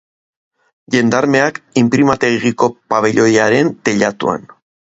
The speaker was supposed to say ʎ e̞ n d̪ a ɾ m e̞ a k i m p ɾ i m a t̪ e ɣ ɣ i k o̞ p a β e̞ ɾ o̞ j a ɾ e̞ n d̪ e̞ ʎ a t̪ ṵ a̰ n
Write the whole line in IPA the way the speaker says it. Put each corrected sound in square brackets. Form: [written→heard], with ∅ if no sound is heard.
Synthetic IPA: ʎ e̞ n d̪ a ɾ m e̞ a k i m p ɾ i m a t̪ e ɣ ɣ i k o̞ p a β e̞ [ɾ→ʎ] o̞ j a ɾ e̞ n [d̪→t̪] e̞ ʎ a t̪ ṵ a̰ n